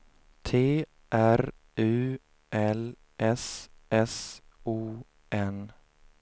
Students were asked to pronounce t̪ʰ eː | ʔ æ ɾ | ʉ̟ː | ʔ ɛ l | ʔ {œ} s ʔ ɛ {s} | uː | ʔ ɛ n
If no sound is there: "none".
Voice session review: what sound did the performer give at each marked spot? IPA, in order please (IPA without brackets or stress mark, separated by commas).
ɛ, s